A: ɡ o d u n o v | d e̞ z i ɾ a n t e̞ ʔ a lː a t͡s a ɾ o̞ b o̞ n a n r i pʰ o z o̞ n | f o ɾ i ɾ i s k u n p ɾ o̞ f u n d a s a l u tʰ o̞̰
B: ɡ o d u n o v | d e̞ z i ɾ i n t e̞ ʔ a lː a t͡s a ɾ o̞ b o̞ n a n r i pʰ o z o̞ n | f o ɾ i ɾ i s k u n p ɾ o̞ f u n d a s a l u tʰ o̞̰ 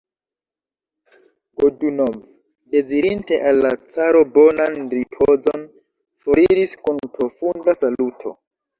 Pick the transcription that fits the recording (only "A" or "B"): B